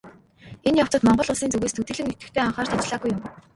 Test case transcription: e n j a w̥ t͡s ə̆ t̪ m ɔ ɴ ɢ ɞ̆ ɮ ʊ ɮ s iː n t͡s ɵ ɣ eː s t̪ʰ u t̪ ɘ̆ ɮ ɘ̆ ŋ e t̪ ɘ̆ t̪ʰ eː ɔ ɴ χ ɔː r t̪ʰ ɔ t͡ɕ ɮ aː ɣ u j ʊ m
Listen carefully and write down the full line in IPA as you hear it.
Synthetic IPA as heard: e n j a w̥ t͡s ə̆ t̪ m ɔ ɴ ɢ ɞ̆ ɮ ʊ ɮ s iː n t͡s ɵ ɣ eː s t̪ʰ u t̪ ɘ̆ ɮ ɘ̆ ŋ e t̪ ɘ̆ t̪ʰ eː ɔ ɴ χ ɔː r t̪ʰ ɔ t͡ɕ ɮ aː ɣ u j ʊ m

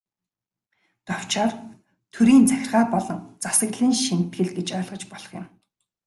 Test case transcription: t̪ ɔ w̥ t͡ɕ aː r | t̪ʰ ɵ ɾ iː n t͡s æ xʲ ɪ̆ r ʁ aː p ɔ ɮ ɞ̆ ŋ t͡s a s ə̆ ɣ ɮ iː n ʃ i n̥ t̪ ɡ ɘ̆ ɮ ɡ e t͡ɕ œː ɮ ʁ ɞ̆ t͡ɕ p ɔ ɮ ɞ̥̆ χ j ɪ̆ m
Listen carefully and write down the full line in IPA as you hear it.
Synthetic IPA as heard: t̪ ɔ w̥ t͡ɕ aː r | t̪ʰ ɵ ɾ iː n t͡s æ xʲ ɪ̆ r ʁ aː p ɔ ɮ ɞ̆ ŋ t͡s a s ə̆ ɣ ɮ iː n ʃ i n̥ t̪ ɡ ɘ̆ ɮ ɡ e t͡ɕ œː ɮ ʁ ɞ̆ t͡ɕ p ɔ ɮ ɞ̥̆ χ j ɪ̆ m

